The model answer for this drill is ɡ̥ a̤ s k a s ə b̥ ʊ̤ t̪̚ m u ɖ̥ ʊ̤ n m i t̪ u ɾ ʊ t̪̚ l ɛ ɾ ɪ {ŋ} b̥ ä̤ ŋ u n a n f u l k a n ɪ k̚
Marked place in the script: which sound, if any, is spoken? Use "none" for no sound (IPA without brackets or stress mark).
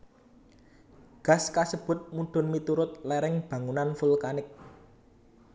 ŋ